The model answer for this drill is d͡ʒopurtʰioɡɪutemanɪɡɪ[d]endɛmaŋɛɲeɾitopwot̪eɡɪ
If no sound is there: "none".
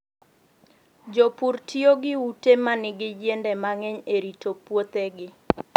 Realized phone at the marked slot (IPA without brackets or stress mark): d͡ʒ